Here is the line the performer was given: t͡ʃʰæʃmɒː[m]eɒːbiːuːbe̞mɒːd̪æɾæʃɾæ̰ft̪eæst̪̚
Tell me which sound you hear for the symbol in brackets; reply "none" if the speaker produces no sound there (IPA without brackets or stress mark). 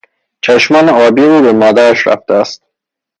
n